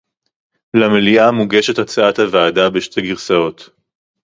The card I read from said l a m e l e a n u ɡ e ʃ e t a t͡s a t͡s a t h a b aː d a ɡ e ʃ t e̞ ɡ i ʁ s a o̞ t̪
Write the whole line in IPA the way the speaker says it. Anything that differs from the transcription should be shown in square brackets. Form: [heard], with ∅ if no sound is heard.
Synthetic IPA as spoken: l a m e l [i] a [m] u ɡ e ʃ e t a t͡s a [∅] a t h a [v] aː d a [b] e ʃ t e̞ ɡ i ʁ s a o̞ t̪

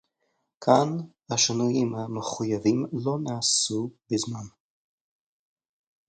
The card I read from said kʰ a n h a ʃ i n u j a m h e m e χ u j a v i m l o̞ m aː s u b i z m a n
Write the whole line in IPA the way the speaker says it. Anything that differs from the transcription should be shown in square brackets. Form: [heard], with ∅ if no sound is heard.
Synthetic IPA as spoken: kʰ a n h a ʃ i n u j [i] m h [a] m e χ u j a v i m l o̞ [n] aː s u b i z m a n

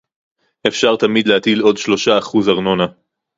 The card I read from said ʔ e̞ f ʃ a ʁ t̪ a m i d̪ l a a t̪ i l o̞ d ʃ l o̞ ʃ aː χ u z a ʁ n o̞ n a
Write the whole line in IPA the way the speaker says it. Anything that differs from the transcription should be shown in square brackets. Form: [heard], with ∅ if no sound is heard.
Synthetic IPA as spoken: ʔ e̞ f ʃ a ʁ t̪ a m i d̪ l [e] a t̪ i l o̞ d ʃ l o̞ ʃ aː χ u z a ʁ n o̞ n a

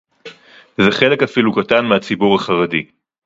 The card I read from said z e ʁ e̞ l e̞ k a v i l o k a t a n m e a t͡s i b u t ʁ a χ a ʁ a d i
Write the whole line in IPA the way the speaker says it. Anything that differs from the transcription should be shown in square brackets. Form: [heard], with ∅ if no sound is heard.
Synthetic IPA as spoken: z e [χ] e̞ l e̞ k a [f] i l [u] k a t a n m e a t͡s i b u [∅] ʁ a χ a ʁ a d i

